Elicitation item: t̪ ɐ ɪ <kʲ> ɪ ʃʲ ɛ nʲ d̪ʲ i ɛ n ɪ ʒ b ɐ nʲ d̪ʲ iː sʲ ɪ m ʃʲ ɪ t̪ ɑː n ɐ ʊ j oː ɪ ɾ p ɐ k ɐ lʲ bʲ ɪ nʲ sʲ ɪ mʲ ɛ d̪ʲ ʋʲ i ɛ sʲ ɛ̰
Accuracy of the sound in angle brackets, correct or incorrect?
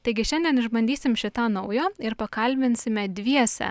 incorrect